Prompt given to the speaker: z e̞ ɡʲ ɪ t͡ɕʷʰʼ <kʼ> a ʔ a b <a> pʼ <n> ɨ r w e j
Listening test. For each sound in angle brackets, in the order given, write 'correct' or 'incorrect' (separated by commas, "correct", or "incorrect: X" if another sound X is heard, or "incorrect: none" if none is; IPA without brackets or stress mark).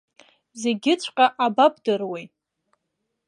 incorrect: qʼ, correct, incorrect: d